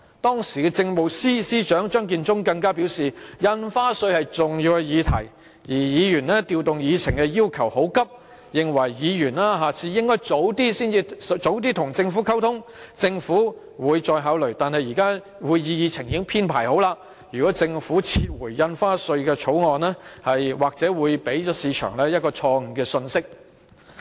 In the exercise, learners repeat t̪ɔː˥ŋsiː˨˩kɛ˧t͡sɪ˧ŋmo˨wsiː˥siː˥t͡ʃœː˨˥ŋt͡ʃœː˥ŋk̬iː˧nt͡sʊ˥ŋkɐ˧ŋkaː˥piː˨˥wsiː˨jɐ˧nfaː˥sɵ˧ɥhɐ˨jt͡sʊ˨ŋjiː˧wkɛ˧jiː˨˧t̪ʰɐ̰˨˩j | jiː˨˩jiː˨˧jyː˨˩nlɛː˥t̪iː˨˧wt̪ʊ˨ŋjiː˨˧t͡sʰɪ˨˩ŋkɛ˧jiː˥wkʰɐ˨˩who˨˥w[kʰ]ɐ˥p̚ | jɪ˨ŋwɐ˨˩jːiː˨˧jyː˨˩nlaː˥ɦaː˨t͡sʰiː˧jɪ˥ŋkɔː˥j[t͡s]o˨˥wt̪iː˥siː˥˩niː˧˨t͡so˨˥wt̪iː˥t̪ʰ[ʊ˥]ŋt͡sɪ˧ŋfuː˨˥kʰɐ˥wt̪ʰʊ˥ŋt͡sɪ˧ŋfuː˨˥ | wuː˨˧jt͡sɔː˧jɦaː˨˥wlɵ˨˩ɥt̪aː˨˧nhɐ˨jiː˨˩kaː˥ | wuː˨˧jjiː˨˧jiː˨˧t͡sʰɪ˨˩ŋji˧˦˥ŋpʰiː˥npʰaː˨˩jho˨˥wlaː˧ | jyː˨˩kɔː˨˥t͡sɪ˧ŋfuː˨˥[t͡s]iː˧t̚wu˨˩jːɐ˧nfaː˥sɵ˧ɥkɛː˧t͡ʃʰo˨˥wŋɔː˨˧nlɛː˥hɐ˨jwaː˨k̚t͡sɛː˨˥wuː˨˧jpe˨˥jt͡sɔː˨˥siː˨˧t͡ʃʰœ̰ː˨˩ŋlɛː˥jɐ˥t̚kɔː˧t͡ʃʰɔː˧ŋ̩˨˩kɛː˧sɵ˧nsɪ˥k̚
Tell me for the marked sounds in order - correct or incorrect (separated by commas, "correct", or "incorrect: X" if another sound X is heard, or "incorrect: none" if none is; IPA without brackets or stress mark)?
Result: incorrect: k, correct, incorrect: ʊ˨˩, incorrect: t͡sʰ